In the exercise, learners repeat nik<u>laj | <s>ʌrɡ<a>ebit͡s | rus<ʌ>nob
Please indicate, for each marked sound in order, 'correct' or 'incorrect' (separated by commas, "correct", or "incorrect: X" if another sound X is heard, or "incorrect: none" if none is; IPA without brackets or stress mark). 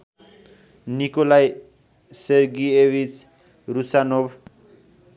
incorrect: o, correct, incorrect: i, incorrect: a